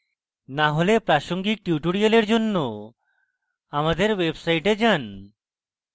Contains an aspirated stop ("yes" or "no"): no